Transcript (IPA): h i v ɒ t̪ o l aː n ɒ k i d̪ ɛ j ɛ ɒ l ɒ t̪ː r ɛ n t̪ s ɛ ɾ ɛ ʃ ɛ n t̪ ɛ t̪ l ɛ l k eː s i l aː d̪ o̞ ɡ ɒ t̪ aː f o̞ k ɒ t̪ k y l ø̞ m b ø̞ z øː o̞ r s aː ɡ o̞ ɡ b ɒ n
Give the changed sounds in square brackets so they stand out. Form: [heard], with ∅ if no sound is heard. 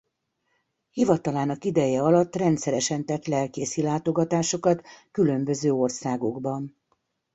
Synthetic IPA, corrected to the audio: h i v ɒ t̪ [ɒ] l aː n ɒ k i d̪ ɛ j ɛ ɒ l ɒ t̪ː r ɛ n t̪ s ɛ ɾ ɛ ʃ ɛ n t̪ ɛ t̪ l ɛ l k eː s i l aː [t̪] o̞ ɡ ɒ t̪ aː [ʃ] o̞ k ɒ t̪ k y l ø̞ m b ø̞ z øː o̞ r s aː ɡ o̞ ɡ b ɒ n